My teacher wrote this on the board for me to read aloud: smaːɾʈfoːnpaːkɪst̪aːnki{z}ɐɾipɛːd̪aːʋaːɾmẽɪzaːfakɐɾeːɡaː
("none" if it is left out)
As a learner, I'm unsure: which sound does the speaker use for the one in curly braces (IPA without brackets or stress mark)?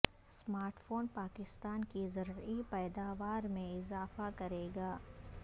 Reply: z